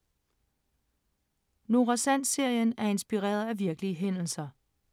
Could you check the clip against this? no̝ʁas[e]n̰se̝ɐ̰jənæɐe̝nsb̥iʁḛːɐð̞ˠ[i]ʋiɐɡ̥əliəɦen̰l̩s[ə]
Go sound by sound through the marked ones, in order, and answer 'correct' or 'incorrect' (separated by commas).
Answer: incorrect, incorrect, incorrect